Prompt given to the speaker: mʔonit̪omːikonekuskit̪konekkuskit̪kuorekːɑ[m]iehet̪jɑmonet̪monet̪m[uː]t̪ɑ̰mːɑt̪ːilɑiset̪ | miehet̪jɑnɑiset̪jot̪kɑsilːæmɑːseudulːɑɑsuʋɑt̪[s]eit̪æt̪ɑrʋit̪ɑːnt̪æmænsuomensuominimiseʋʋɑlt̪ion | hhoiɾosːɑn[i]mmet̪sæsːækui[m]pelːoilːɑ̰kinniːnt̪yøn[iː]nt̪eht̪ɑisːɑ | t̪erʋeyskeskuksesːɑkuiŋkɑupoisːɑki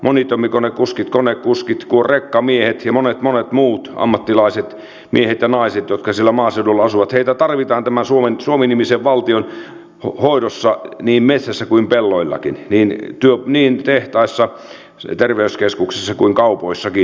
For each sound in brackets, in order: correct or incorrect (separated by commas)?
correct, correct, incorrect, incorrect, correct, correct